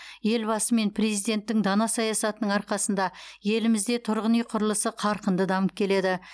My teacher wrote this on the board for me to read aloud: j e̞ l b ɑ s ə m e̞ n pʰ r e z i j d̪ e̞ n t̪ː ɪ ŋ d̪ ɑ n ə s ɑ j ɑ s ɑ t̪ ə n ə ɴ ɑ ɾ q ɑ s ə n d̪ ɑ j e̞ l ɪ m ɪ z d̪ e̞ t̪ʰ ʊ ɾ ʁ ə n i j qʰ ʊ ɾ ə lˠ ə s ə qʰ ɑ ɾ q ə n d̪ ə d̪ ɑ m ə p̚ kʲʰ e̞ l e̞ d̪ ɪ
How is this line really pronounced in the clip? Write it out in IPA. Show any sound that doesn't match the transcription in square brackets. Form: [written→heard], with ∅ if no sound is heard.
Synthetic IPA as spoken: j e̞ l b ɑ s ə m e̞ n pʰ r e z i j d̪ e̞ n t̪ː ɪ ŋ d̪ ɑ n [ə→ɑ] s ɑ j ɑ s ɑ t̪ ə n ə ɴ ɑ ɾ q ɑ s ə n d̪ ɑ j e̞ l ɪ m ɪ z d̪ e̞ t̪ʰ ʊ ɾ ʁ ə n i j qʰ ʊ ɾ ə lˠ ə s ə qʰ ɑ ɾ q ə n d̪ ə d̪ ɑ m ə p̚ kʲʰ e̞ l e̞ d̪ ɪ